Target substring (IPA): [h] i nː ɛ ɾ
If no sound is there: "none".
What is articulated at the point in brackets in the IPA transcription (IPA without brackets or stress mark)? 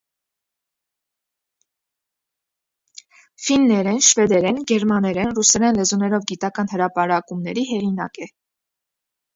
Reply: f